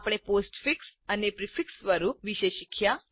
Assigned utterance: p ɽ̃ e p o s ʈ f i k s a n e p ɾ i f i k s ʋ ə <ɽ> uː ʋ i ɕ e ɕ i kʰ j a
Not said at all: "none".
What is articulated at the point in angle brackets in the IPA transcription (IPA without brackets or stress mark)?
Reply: ɾ